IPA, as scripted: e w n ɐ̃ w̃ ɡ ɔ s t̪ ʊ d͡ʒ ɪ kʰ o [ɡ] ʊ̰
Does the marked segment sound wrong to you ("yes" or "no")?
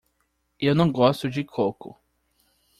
yes